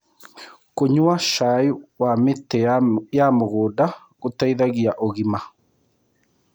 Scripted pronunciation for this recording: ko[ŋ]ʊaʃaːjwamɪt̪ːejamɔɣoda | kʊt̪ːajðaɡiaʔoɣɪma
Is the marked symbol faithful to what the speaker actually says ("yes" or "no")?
no